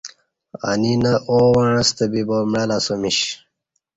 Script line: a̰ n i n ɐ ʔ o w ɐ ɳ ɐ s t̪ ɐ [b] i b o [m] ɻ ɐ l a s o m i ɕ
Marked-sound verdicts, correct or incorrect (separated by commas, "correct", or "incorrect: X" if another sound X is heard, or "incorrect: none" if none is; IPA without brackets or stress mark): correct, correct